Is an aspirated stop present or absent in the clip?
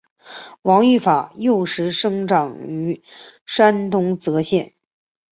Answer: absent